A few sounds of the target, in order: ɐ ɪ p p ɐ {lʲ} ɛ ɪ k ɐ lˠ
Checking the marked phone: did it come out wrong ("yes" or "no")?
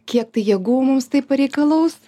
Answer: yes